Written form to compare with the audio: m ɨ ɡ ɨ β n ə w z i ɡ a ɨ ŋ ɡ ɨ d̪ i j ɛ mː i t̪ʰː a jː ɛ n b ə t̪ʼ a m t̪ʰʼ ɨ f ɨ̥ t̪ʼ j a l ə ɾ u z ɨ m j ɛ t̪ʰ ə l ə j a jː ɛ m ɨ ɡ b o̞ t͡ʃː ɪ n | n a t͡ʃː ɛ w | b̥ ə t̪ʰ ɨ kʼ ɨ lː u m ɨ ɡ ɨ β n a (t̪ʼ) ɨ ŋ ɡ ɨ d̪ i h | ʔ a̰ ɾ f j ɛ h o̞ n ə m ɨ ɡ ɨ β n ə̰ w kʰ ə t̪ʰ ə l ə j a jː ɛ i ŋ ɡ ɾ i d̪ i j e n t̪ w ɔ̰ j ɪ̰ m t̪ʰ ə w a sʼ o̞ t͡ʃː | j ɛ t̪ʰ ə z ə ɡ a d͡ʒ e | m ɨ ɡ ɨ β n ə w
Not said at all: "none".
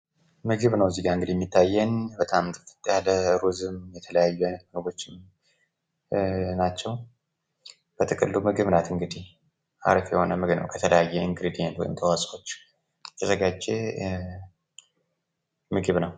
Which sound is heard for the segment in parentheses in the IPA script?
t̪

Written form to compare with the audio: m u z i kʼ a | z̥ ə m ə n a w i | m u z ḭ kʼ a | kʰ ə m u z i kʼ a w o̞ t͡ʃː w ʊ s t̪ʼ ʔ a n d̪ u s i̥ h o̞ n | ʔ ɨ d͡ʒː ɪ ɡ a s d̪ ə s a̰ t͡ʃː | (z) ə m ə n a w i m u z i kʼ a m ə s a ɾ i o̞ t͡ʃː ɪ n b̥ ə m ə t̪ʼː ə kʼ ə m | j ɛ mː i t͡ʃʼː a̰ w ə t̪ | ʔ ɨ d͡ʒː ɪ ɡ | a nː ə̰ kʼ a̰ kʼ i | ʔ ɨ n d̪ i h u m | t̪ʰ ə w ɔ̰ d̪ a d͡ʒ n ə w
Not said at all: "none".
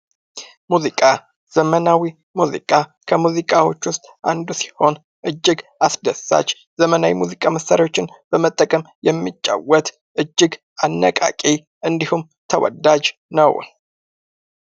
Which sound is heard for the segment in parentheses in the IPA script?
z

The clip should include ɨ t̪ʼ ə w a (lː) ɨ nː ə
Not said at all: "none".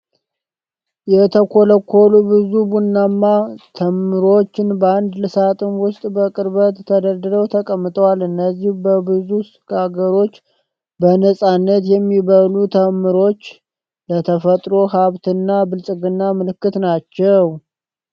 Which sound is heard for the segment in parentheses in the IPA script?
l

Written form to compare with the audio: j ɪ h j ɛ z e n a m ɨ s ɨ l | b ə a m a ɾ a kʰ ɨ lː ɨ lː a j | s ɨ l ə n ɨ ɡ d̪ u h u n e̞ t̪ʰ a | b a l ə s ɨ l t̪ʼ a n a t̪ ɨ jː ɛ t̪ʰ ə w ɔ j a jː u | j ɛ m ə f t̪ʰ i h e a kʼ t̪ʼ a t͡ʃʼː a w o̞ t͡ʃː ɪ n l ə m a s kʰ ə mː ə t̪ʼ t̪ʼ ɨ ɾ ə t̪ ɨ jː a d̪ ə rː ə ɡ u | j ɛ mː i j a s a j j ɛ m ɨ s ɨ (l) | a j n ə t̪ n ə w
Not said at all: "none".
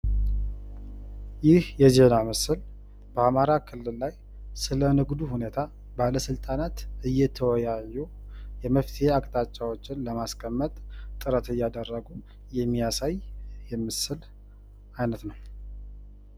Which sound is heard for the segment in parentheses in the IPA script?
l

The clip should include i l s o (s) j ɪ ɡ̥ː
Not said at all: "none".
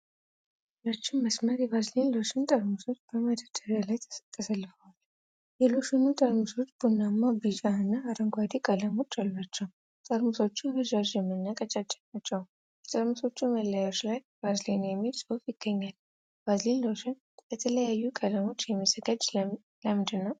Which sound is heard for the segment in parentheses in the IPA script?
f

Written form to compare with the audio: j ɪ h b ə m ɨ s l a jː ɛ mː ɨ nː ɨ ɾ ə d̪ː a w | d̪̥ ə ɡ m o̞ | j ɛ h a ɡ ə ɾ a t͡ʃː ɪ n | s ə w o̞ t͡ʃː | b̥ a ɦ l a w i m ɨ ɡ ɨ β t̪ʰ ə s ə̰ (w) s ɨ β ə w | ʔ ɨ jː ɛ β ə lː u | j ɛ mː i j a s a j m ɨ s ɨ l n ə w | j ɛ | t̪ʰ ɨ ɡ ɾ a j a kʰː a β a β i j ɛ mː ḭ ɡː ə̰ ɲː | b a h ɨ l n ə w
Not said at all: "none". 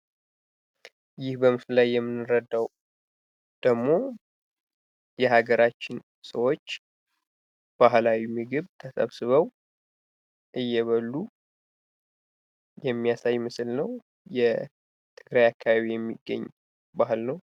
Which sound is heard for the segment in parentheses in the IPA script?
β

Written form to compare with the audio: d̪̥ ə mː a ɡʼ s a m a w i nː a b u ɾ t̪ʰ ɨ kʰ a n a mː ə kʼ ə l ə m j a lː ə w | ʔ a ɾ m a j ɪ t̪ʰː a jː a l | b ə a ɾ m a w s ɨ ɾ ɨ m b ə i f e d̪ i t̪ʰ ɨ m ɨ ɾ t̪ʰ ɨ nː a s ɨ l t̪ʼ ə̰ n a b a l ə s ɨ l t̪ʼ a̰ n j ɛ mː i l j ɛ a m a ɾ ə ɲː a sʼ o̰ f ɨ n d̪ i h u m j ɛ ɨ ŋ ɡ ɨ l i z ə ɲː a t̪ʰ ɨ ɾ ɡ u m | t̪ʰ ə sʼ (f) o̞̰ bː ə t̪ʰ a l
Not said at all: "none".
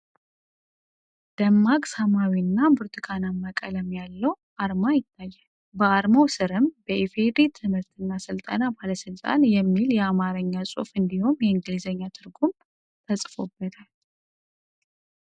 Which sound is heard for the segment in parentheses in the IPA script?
f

